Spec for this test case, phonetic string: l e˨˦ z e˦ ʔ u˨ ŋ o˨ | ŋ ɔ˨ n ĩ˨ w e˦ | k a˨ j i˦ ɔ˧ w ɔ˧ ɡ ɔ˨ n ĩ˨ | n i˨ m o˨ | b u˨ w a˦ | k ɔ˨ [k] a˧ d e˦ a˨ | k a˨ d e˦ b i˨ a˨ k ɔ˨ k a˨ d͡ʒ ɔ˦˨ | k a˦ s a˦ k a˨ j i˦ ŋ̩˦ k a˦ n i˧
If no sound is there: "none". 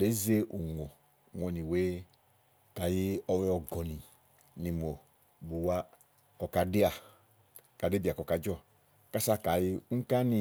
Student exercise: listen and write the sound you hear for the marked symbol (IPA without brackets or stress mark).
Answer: k